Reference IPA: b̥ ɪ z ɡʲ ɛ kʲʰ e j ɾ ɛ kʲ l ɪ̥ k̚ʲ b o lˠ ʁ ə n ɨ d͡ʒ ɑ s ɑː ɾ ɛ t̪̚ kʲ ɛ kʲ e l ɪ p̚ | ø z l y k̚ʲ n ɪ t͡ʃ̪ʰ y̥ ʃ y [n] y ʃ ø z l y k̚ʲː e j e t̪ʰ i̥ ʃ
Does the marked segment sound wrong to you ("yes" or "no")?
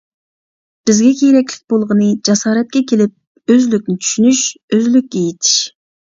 no